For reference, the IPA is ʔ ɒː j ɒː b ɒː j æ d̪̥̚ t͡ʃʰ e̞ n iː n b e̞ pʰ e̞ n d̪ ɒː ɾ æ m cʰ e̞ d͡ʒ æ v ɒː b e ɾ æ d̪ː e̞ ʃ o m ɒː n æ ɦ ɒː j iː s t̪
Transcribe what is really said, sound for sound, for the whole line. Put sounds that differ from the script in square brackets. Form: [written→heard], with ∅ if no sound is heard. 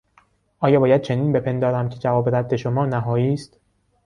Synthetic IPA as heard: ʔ ɒː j ɒː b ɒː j æ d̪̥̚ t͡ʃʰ e̞ n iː n b e̞ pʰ e̞ n d̪ ɒː ɾ æ m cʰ e̞ d͡ʒ æ v ɒː b e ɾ æ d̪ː e̞ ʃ o m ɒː n æ ɦ ɒː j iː s t̪